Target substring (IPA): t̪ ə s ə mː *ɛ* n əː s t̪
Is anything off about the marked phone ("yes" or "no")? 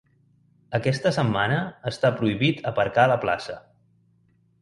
yes